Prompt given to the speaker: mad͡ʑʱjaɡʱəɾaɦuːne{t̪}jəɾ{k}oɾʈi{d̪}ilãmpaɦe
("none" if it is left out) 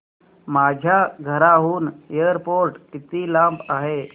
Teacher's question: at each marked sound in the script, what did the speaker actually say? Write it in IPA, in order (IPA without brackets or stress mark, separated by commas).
none, p, t̪